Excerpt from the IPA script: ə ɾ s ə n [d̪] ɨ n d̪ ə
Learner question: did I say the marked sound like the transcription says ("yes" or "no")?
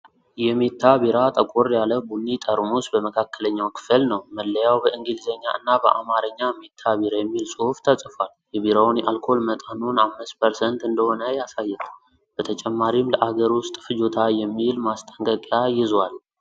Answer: no